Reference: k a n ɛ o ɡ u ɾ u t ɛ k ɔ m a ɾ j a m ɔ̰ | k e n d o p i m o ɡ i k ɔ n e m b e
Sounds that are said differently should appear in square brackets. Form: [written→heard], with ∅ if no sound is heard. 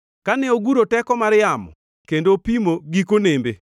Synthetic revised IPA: k a n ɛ o ɡ u ɾ [u→o] t ɛ k ɔ m a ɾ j a m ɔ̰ | k e n d o p i m o ɡ i k [ɔ→o] n e m b e